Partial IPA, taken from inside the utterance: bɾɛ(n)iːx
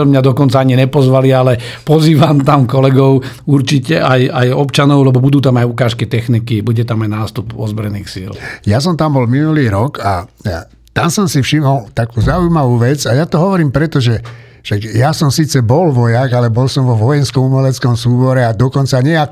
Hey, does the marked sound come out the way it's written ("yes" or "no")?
yes